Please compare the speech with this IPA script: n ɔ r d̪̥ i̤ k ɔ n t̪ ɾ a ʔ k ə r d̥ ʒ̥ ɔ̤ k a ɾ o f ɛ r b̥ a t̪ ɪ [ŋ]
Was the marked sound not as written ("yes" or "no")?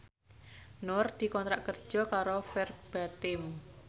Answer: yes